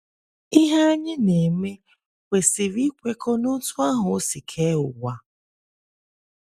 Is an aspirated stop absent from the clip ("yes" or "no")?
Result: no